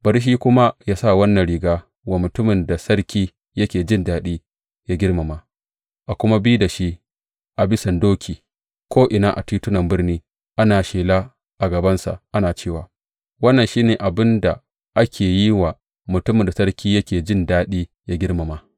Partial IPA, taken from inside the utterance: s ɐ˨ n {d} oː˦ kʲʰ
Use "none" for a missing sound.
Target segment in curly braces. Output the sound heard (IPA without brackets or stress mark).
d